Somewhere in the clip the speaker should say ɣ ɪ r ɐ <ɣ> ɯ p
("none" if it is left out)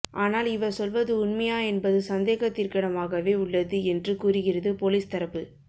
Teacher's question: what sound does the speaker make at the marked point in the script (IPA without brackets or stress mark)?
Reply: ð